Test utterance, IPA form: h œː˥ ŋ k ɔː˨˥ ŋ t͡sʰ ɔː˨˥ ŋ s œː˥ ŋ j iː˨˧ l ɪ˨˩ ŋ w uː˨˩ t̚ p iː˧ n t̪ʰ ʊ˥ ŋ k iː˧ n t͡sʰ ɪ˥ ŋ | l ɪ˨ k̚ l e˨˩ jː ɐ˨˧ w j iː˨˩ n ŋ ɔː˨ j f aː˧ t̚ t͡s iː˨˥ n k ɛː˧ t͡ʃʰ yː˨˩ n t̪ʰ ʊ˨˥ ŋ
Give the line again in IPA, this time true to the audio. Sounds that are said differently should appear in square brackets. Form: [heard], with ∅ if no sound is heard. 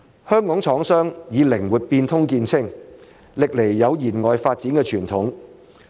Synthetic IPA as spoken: h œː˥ ŋ k ɔː˨˥ ŋ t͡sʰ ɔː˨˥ ŋ s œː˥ ŋ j iː˨˧ l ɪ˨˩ ŋ w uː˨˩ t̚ p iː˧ n t̪ʰ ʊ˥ ŋ k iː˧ n t͡sʰ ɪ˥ ŋ | l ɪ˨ k̚ l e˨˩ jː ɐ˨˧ w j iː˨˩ n ŋ ɔː˨ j f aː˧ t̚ t͡s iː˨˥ n k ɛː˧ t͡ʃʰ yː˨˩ n t̪ʰ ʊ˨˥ ŋ